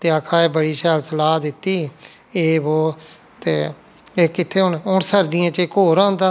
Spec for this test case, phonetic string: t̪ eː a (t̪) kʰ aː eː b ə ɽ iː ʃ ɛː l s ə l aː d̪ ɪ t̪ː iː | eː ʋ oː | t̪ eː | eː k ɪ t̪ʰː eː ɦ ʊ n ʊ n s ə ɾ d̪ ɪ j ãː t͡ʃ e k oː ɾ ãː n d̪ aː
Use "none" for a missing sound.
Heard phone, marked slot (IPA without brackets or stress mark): none